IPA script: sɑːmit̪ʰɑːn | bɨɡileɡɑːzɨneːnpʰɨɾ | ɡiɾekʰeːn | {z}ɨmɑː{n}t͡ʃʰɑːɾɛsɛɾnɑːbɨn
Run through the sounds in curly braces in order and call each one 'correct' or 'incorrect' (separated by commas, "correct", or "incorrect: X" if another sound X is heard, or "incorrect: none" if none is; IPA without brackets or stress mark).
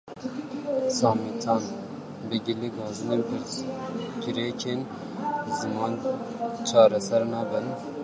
correct, correct